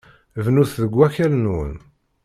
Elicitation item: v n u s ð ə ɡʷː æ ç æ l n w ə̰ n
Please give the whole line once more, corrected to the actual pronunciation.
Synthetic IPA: v n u θ ð ə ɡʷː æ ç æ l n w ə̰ n